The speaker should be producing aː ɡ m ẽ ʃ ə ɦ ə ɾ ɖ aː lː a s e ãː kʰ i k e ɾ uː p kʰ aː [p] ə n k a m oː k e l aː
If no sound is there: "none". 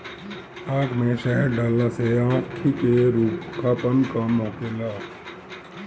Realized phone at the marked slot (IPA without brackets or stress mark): p